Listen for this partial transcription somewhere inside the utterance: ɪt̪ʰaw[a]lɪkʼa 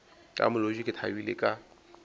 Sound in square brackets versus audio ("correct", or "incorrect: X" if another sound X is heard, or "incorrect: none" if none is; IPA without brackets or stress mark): incorrect: i